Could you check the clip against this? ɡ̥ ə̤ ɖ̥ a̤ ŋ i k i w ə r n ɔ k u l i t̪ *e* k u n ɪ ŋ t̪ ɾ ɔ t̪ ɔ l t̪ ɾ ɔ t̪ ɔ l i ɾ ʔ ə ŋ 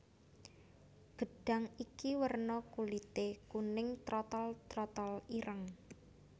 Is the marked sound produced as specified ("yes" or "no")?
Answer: yes